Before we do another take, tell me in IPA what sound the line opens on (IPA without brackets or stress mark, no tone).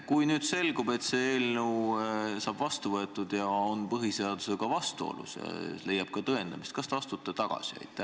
k